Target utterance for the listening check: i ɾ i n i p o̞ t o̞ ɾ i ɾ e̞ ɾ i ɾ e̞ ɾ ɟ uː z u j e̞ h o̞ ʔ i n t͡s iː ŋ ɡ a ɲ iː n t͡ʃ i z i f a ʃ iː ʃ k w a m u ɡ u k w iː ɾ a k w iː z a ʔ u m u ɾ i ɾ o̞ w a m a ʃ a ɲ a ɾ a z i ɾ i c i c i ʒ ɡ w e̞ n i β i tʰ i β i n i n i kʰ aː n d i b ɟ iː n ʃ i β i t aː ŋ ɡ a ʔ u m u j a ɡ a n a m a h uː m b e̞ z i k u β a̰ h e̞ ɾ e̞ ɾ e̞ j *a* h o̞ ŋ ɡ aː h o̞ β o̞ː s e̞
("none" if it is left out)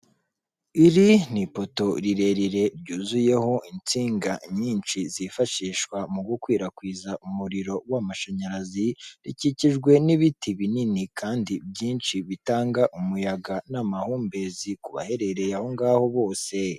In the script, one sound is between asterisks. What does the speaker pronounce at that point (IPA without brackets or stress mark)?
a